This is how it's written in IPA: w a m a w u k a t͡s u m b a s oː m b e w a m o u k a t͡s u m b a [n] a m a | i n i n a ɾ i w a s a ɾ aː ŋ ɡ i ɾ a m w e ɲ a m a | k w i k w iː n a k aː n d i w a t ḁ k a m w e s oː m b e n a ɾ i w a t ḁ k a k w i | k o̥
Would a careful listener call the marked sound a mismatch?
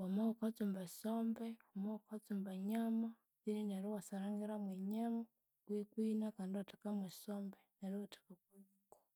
yes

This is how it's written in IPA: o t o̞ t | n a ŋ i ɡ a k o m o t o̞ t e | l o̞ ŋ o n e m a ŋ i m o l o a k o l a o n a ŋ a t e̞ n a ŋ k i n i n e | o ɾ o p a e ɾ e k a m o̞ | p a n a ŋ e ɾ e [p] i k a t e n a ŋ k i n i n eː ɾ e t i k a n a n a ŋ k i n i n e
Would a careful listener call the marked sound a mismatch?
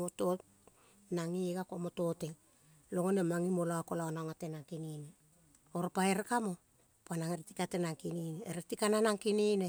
yes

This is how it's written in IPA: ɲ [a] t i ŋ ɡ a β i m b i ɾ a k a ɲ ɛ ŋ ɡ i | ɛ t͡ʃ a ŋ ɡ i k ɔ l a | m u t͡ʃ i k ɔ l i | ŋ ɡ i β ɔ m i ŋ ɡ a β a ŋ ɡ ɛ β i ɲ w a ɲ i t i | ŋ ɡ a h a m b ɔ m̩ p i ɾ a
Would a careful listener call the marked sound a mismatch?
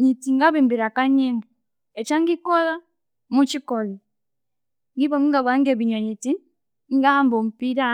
yes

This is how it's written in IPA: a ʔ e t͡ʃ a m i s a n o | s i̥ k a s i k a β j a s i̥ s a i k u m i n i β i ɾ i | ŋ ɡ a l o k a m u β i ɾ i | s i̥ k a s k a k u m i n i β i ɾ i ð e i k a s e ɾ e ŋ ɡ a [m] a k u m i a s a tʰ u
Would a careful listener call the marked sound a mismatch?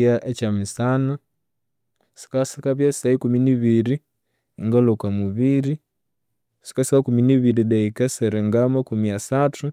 no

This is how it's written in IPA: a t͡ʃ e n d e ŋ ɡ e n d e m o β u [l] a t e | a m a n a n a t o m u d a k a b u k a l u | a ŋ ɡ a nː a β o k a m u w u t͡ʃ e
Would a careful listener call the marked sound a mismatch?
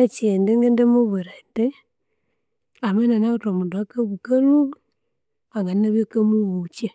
yes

